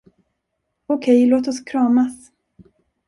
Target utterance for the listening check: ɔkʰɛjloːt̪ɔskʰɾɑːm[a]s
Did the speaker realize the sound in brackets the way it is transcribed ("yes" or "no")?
yes